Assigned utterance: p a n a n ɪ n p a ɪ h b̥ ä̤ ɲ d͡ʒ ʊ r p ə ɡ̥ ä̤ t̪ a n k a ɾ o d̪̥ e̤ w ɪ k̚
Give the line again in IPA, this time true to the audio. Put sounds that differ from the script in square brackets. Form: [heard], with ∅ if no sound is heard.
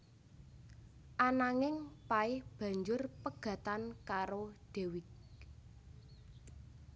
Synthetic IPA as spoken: [ʔ] a n a [ŋ] ɪ [ŋ] p a ɪ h b̥ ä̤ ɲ d͡ʒ ʊ r p ə ɡ̥ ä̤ t̪ a n k a ɾ o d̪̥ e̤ w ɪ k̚